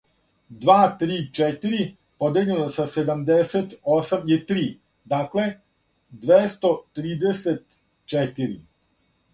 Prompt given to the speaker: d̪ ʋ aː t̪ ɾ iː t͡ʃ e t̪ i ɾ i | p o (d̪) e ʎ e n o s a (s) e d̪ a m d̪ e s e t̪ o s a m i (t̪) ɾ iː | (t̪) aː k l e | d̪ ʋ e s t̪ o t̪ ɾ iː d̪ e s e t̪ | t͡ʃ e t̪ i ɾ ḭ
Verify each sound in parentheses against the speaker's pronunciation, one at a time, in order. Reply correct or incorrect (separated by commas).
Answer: correct, correct, correct, incorrect